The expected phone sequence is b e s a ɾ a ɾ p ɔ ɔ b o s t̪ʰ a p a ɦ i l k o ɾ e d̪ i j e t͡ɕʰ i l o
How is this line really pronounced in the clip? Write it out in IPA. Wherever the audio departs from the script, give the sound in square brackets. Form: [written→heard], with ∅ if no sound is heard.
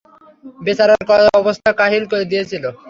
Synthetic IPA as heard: b e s a ɾ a ɾ [p→k] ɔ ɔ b o s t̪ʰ a [p→k] a ɦ i l k o ɾ e d̪ i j e t͡ɕʰ i l o